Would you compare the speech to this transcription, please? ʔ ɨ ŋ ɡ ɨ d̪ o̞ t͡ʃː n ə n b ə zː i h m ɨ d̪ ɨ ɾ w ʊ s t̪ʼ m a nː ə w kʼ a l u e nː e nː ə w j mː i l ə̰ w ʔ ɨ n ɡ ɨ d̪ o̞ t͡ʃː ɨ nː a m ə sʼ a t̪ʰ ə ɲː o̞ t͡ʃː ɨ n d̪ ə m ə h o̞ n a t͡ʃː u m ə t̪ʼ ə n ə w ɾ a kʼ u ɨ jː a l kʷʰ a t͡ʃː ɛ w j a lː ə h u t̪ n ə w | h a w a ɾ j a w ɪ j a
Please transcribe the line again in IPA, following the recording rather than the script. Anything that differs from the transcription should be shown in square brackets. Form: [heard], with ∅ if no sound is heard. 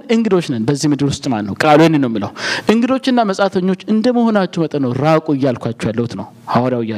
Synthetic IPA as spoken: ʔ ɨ ŋ ɡ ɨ d̪ o̞ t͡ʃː n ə n b ə zː i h m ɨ d̪ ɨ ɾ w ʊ s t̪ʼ m a nː ə w kʼ a l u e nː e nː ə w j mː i l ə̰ w ʔ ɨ [ŋ] ɡ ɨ d̪ o̞ t͡ʃː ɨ nː a m ə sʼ a t̪ʰ ə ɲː o̞ t͡ʃː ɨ n d̪ ə m ə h o̞ n a t͡ʃː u m ə t̪ʼ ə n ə w ɾ a kʼ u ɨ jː a l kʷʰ a t͡ʃː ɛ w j a lː ə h u t̪ n ə w | h a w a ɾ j a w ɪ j a